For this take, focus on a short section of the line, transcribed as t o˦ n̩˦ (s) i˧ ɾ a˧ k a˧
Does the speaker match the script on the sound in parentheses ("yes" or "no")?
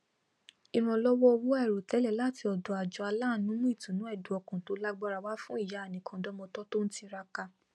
no